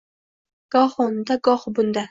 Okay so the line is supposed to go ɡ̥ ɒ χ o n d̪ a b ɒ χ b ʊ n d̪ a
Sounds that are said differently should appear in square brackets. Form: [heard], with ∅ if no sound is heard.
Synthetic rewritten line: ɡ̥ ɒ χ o n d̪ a [ɡ] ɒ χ b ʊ n d̪ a